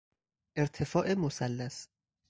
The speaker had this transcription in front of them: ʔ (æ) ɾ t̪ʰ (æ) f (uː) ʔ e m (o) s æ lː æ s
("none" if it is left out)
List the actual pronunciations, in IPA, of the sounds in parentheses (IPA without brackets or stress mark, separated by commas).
e, e, ɒː, o